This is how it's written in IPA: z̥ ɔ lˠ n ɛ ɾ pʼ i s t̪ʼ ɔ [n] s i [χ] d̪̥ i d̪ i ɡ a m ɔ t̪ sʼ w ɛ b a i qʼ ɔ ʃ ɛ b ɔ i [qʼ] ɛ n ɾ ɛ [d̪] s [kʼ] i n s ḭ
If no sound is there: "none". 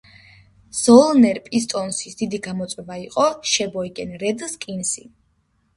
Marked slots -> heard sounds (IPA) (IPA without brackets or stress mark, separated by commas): n, s, kʼ, d̪, kʼ